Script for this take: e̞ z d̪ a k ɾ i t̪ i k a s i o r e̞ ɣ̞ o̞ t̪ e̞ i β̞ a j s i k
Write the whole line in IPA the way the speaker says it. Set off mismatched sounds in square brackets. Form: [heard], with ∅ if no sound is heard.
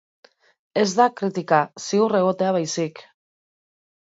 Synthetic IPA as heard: e̞ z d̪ a k ɾ i t̪ i k a s i [u] r e̞ ɣ̞ o̞ t̪ e̞ [a] β̞ a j s i k